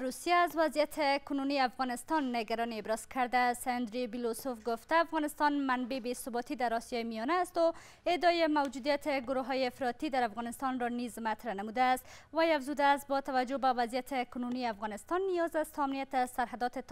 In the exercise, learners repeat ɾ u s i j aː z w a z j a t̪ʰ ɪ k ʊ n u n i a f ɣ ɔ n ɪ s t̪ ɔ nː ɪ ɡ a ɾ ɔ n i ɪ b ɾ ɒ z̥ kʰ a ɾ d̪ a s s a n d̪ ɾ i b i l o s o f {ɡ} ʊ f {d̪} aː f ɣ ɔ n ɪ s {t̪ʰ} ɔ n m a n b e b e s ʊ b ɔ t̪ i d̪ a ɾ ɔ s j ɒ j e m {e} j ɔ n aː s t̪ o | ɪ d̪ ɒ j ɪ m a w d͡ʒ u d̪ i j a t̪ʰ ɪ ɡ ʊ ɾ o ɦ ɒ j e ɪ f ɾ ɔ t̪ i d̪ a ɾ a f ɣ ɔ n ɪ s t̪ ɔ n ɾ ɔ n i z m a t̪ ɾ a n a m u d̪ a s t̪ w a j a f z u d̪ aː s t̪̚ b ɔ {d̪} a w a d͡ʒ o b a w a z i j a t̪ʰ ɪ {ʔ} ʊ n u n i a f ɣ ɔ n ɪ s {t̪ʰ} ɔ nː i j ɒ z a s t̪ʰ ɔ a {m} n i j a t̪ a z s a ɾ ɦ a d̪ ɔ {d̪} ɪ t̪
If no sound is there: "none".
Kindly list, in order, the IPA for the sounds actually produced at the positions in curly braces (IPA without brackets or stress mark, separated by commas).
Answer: ɡ, t̪, t̪, i, t̪, k, t̪, m, t̪